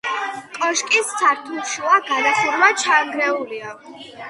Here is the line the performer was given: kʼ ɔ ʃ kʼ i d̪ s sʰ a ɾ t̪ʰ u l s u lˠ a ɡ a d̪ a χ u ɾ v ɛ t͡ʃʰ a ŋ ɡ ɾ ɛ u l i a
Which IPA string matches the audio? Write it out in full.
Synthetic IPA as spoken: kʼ ɔ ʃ kʼ i s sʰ a ɾ t̪ʰ u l ʃ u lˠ a ɡ a d̪ a χ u ɾ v a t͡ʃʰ a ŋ ɡ ɾ ɛ u l i a